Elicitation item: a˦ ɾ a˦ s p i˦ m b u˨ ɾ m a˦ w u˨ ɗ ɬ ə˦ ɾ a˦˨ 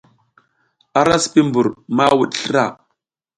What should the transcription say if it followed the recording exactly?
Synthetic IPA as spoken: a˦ ɾ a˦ s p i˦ m b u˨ ɾ m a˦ w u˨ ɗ ɬ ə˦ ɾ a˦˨